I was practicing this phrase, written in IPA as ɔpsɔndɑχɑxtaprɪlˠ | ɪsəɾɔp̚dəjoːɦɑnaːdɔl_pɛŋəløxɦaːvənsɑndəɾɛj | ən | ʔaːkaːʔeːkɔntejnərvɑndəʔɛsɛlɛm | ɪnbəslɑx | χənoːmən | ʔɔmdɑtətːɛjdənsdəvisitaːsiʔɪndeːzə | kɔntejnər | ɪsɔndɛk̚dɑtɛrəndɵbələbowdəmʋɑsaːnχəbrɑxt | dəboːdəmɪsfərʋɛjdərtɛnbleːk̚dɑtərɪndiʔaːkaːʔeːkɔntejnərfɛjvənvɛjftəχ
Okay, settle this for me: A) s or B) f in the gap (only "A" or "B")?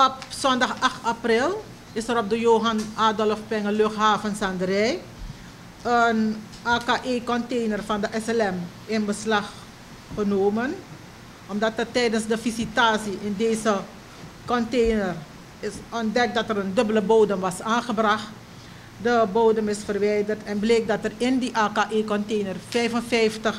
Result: B